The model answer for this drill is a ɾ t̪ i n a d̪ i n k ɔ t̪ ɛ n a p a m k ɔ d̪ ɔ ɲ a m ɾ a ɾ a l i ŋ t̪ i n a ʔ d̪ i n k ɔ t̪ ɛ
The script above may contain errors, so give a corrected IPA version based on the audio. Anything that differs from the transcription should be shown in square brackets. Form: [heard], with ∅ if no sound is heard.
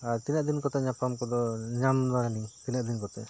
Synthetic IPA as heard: a ɾ t̪ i n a d̪ i n k ɔ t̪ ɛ [ɲ] a p a m k ɔ d̪ ɔ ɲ a m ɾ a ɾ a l i ŋ t̪ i n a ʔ d̪ i n k ɔ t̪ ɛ